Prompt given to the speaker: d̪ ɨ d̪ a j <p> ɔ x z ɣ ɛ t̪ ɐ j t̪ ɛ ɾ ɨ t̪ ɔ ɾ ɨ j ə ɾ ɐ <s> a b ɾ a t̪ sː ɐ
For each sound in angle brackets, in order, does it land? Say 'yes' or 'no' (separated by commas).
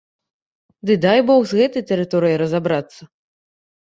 no, no